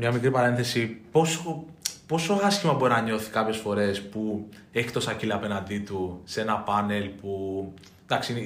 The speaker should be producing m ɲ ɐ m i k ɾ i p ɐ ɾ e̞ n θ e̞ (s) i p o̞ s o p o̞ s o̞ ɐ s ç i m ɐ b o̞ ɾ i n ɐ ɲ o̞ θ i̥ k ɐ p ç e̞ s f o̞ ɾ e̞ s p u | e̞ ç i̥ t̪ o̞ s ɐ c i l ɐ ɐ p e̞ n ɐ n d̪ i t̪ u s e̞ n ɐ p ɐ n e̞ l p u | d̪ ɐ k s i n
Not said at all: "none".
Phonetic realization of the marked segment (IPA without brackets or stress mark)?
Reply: s